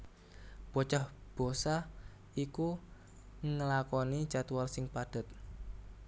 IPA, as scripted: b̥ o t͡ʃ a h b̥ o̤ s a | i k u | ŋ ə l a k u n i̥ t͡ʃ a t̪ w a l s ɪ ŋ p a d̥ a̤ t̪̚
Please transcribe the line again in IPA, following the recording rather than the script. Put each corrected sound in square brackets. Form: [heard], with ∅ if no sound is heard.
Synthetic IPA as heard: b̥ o t͡ʃ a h b̥ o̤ s a | i k u | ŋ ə l a k [ɔ] n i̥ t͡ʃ a t̪ w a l s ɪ ŋ p a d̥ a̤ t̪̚